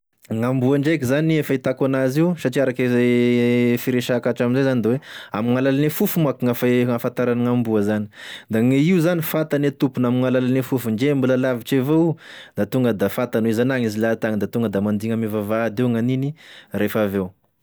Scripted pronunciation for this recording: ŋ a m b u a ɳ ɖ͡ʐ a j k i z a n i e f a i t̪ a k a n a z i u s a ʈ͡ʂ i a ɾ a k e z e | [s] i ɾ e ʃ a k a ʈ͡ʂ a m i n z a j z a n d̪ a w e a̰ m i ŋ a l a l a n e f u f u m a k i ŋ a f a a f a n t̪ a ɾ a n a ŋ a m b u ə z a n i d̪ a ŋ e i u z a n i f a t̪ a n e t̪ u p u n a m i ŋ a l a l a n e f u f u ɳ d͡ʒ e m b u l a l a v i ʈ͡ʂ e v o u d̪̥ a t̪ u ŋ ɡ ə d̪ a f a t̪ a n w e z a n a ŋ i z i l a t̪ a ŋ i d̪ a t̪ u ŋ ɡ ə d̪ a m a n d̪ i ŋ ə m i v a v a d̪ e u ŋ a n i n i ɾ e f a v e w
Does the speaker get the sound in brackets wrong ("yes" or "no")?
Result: yes